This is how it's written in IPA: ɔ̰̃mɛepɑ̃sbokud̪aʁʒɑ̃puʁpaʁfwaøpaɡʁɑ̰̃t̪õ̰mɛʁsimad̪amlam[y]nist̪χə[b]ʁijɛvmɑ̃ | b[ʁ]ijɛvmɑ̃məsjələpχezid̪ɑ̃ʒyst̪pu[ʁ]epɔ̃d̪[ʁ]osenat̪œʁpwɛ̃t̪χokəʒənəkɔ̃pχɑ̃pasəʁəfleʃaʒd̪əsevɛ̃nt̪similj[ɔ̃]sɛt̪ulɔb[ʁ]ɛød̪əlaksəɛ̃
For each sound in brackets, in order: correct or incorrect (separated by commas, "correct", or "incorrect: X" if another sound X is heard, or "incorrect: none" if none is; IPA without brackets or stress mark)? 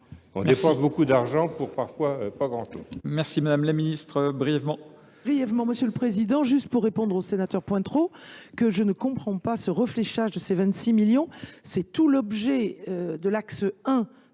incorrect: i, correct, correct, incorrect: ʁː, correct, correct, incorrect: ʒ